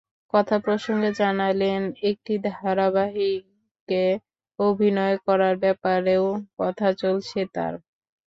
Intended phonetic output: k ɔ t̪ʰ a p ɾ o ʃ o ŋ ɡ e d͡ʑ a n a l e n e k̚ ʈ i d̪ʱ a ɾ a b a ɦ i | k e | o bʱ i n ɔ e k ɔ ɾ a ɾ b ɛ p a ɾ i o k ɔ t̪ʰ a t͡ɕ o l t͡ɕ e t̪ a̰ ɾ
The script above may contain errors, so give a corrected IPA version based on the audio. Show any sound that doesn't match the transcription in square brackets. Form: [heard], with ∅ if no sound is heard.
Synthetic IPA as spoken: k ɔ t̪ʰ a p ɾ o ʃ o ŋ ɡ e d͡ʑ a n a l e n e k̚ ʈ i d̪ʱ a ɾ a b a ɦ i | k e | o bʱ i n ɔ e k ɔ ɾ a ɾ b ɛ p a ɾ [e] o k ɔ t̪ʰ a t͡ɕ o l [t͡ɕʰ] e t̪ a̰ ɾ